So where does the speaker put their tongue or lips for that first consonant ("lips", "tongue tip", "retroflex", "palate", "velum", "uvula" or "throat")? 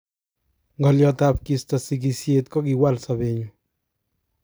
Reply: velum